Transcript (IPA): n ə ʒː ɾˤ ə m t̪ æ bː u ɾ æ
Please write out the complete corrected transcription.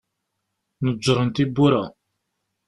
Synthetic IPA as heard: n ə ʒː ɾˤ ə n t̪ i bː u ɾ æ